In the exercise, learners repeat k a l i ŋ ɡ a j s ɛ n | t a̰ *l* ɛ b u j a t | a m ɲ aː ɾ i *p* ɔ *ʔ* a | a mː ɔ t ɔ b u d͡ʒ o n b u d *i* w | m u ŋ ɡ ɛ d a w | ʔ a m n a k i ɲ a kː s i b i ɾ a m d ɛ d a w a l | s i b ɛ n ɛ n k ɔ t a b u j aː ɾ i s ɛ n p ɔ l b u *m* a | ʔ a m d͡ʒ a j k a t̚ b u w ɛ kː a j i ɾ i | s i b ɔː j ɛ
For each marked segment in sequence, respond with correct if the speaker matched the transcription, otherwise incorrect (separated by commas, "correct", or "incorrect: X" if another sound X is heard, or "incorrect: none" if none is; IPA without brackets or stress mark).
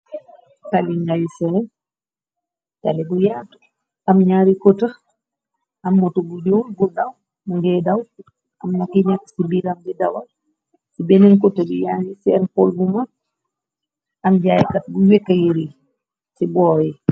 correct, incorrect: k, incorrect: t, incorrect: a, correct